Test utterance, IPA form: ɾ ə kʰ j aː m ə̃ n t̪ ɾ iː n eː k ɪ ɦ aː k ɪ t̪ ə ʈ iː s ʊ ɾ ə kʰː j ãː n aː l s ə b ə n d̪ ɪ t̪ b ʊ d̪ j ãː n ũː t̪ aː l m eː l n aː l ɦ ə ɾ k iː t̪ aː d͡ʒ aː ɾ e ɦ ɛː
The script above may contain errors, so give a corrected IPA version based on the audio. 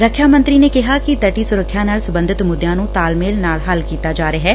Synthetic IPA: ɾ ə kʰ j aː m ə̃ n t̪ ɾ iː n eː k ɪ ɦ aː k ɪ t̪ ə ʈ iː s ʊ ɾ ə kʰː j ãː n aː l s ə b ə n d̪ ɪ t̪ m ʊ d̪ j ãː n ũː t̪ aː l m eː l n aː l ɦ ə l k iː t̪ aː d͡ʒ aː ɾ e ɦ ɛː